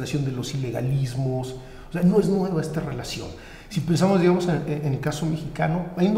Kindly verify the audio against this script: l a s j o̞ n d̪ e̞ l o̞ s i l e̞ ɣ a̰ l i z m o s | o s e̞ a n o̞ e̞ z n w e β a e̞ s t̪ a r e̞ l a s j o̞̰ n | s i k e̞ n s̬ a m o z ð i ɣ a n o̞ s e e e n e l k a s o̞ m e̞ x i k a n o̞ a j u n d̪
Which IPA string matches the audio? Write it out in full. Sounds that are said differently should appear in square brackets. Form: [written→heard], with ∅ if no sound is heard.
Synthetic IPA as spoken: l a s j o̞ n d̪ e̞ l o̞ s i l e̞ ɣ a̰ l i z m o s | o s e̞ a n o̞ e̞ z n w e β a e̞ s t̪ a r e̞ l a s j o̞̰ n | s i [k→p] e̞ n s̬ a m o z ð i ɣ a [n→m] o̞ s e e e n e l k a s o̞ m e̞ x i k a n o̞ a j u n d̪